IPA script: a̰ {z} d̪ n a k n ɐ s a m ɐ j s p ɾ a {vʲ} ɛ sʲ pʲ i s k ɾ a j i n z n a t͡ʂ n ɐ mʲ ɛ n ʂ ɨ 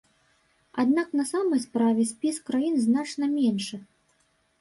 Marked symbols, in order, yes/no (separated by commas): no, yes